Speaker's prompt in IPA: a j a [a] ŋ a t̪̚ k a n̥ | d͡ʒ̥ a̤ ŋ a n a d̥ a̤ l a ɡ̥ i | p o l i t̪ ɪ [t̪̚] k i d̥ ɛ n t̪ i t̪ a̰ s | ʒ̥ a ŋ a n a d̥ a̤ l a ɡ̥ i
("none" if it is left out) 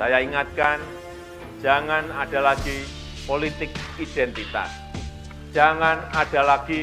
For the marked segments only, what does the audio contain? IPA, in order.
i, none

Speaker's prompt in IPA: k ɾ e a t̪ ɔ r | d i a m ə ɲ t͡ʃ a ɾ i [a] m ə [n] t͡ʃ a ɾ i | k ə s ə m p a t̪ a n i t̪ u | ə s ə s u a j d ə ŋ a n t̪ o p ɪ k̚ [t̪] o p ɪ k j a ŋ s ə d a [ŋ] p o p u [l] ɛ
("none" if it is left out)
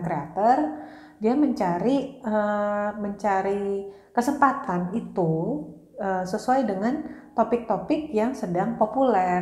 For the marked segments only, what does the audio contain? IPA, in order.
ə, ɲ, t̪, ŋ, l

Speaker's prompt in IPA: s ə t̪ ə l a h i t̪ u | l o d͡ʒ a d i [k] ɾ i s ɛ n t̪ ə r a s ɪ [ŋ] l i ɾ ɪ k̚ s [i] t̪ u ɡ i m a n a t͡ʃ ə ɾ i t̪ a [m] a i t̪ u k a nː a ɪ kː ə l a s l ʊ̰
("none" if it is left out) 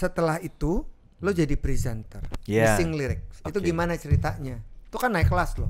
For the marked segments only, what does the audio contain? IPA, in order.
p, ŋ, i, ɲ

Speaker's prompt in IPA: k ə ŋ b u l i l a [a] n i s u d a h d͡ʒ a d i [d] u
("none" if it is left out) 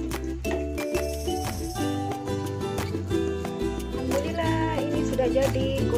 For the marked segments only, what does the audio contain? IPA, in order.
i, ɡ

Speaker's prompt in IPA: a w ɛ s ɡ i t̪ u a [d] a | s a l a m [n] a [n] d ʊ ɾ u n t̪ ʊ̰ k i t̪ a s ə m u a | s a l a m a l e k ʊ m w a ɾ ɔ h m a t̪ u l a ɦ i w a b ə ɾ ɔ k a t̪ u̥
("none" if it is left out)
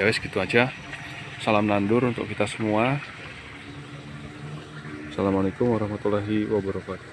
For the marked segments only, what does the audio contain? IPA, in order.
d͡ʒ, n, n

